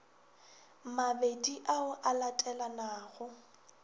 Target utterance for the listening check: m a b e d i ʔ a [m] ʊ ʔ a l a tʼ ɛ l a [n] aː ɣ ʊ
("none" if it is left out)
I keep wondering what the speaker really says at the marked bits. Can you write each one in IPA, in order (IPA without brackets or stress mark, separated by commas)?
none, n